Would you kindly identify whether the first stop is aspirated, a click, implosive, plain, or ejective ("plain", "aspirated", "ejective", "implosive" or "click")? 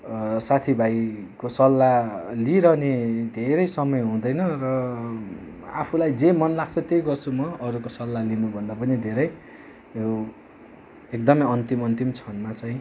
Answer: aspirated